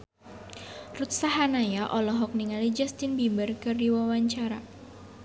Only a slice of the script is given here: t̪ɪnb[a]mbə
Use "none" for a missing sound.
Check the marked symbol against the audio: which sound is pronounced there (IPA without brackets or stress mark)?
i